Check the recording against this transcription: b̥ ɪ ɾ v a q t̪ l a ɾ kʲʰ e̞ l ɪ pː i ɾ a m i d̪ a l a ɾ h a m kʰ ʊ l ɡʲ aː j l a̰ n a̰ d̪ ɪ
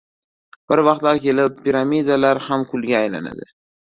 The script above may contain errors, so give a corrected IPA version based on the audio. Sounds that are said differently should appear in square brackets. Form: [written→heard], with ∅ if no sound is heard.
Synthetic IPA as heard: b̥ ɪ ɾ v [a→ɑ] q t̪ l a ɾ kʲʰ e̞ l ɪ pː i ɾ a m i d̪ a l a ɾ h a m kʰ ʊ l ɡʲ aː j l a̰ n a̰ d̪ ɪ